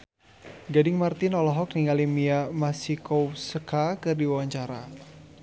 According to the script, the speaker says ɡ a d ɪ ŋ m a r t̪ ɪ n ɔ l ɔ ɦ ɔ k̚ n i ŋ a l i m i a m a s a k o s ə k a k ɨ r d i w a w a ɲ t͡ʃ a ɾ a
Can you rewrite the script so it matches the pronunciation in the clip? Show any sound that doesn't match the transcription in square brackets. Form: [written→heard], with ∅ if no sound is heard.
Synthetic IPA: ɡ a d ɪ ŋ m a r t̪ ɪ n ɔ l ɔ ɦ ɔ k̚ n i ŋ a l i m i a m a s [a→i] k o s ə k a k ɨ r d i w a w a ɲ t͡ʃ a ɾ a